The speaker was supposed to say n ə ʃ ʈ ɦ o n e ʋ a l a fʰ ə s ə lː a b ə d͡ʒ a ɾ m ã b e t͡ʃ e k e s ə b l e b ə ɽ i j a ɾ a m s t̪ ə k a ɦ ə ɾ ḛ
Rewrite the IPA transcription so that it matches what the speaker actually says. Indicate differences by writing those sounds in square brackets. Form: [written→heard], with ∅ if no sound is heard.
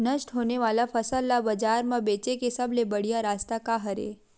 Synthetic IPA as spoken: n ə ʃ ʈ ɦ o n e ʋ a l a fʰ ə s ə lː a b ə d͡ʒ a ɾ m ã b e t͡ʃ e k e s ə b l e b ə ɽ i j a ɾ a [m→∅] s t̪ [ə→a] k a ɦ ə ɾ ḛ